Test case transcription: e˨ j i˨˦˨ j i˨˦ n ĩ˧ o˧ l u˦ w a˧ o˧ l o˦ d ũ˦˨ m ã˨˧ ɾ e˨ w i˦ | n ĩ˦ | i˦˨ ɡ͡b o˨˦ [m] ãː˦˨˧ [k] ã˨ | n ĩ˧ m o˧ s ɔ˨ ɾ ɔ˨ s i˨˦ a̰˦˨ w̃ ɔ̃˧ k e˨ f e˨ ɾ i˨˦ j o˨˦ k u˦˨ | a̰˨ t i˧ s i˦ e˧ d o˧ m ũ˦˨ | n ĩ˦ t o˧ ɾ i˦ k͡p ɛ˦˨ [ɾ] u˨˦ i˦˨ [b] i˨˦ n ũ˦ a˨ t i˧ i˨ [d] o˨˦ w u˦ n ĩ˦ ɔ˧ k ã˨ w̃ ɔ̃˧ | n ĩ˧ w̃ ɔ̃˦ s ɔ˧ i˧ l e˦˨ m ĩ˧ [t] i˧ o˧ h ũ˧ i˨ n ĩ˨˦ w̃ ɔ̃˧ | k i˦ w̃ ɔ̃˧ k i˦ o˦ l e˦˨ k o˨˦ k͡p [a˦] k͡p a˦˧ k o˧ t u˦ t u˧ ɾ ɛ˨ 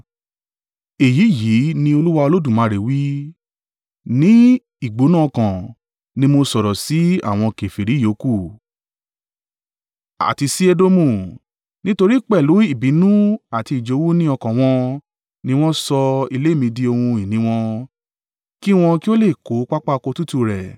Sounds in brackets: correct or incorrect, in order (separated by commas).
incorrect, correct, incorrect, correct, incorrect, incorrect, correct